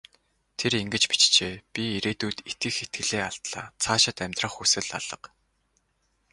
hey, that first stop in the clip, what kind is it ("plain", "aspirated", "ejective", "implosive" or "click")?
aspirated